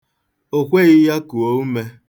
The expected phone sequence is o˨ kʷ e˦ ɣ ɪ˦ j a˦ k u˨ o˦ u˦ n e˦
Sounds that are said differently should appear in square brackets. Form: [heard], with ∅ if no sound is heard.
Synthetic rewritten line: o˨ kʷ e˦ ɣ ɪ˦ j a˦ k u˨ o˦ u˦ [m] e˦